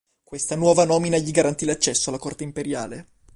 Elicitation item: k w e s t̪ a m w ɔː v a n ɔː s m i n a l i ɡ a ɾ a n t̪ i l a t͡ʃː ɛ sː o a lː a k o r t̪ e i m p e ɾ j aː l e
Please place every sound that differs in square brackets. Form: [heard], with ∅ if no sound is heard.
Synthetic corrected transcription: k w e s t̪ a [n] w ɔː v a n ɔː [∅] m i n a [ʎ] i ɡ a ɾ a n t̪ i l a t͡ʃː ɛ sː o a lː a k o r t̪ e i m p e ɾ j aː l e